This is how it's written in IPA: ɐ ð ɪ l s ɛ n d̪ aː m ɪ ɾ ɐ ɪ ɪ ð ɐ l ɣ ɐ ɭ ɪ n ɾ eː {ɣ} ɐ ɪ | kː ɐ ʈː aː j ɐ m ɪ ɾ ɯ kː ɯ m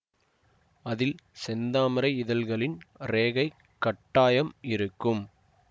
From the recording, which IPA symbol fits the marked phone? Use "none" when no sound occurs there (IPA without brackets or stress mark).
ɣ